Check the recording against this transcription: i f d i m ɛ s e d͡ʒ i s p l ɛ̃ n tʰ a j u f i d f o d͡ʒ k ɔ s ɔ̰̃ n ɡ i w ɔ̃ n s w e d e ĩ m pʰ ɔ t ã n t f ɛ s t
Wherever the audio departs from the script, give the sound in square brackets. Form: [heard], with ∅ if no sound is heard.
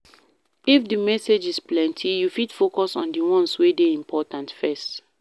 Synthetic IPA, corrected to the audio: i f d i m ɛ s e d͡ʒ i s p l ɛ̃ n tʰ [i] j u f i d f o [∅] k ɔ s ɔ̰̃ n [d] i w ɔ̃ n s w e d e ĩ m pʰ ɔ t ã n t f ɛ s t